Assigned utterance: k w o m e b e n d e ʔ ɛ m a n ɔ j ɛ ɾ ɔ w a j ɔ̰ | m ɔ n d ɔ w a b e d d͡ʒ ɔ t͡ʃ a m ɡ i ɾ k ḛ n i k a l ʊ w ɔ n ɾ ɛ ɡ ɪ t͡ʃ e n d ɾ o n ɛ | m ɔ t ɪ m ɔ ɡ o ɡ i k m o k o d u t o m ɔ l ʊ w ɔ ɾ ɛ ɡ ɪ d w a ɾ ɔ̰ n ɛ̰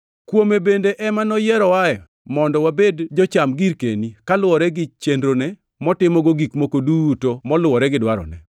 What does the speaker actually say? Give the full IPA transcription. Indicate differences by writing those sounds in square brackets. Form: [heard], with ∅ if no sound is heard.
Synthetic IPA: k w o m e b e n d e ʔ ɛ m a n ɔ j ɛ ɾ ɔ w a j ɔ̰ | m ɔ n d ɔ w a b e d d͡ʒ ɔ t͡ʃ a m ɡ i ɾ k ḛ n i k a l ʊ w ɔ [∅] ɾ ɛ ɡ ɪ t͡ʃ e n d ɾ o n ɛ | m ɔ t ɪ m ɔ ɡ o ɡ i k m o k o d u t o m ɔ l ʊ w ɔ ɾ ɛ ɡ ɪ d w a ɾ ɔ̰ n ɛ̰